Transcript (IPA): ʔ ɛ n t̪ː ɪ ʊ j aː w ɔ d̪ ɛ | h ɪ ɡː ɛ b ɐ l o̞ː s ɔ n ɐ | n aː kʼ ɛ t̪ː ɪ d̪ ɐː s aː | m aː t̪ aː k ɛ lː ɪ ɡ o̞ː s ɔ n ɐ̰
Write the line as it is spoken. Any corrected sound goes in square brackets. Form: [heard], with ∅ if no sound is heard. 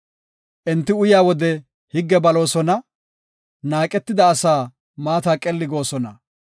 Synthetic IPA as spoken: ʔ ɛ n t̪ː ɪ ʊ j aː w ɔ d̪ ɛ | h ɪ ɡː ɛ b ɐ l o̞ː s ɔ n ɐ | n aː kʼ ɛ t̪ː ɪ d̪ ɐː s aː | m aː t̪ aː [kʼ] ɛ lː ɪ ɡ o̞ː s ɔ n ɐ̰